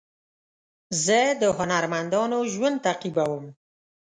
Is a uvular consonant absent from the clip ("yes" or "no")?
no